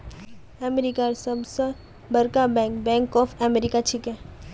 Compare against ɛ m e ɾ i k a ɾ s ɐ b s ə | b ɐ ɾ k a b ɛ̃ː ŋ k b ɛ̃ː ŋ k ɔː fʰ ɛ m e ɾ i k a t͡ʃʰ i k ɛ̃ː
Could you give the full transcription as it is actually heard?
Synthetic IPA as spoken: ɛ m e ɾ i k a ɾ s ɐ b s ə | b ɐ ɾ k a b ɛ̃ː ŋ k b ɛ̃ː ŋ k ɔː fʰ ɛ m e ɾ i k a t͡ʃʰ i k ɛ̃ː